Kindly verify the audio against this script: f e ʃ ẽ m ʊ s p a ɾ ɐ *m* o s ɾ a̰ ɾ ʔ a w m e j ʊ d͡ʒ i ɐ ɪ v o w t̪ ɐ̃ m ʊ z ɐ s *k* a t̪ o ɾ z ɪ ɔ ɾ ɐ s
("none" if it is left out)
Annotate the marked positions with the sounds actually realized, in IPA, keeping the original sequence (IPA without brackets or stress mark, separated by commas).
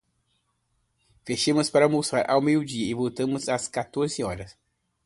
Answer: m, k